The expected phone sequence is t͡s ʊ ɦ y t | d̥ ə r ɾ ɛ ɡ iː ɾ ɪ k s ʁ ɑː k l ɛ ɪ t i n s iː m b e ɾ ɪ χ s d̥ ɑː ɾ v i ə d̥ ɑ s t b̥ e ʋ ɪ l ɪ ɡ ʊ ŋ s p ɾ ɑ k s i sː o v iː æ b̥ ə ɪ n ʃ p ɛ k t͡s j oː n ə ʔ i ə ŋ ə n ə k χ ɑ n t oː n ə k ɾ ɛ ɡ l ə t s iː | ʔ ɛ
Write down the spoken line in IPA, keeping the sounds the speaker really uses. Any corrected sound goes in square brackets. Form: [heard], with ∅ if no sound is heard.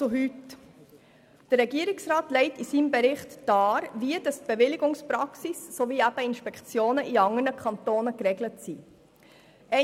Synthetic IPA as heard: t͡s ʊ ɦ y t | d̥ ə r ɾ ɛ ɡ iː ɾ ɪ k s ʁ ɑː [t] l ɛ ɪ t i [∅] s iː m b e ɾ ɪ χ [t] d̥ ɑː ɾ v i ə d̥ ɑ s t b̥ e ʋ ɪ l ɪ ɡ ʊ ŋ s p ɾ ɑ k s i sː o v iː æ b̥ ə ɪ n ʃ p ɛ k t͡s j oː n ə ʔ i [ɑ] ŋ ə n ə k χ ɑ n t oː n ə k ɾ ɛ ɡ l ə t s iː | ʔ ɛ